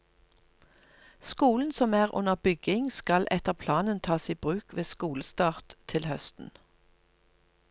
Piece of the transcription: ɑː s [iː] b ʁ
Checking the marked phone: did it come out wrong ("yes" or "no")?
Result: no